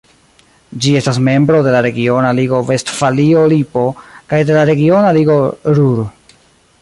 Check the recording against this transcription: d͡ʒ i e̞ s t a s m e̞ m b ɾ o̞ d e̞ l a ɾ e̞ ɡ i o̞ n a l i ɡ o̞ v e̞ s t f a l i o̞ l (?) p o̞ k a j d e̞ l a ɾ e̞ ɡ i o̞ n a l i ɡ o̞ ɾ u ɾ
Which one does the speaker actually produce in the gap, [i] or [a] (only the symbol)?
i